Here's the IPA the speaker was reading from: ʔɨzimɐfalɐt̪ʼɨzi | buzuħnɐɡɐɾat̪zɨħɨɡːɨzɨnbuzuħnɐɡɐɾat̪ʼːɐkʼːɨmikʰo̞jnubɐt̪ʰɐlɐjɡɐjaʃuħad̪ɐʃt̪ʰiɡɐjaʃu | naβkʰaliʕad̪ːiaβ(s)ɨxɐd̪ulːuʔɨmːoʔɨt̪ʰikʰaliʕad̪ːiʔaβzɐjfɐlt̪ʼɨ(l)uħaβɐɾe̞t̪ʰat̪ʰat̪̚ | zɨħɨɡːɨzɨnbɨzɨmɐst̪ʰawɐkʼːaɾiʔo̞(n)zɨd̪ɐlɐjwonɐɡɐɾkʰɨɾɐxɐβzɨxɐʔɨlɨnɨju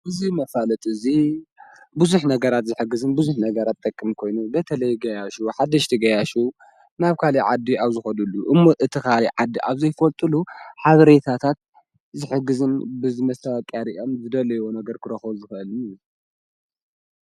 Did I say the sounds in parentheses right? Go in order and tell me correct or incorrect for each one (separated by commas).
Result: incorrect, correct, incorrect